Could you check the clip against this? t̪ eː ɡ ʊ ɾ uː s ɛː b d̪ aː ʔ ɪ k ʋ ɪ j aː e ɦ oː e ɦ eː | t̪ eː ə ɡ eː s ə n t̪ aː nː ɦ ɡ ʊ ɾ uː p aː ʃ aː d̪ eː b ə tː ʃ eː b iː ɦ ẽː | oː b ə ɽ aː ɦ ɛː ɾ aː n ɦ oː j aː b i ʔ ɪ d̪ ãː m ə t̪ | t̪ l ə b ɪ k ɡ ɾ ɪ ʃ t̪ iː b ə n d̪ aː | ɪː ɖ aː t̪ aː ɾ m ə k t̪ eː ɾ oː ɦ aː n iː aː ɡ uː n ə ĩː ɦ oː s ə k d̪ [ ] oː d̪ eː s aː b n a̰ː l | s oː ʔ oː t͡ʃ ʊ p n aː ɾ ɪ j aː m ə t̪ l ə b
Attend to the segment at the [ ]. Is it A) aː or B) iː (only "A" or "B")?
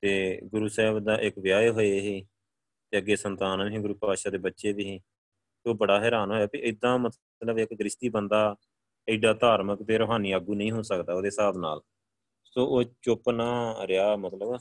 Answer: A